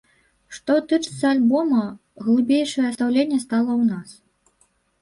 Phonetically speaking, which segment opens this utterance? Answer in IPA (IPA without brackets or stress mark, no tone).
ʂ